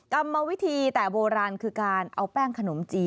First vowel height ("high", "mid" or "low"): low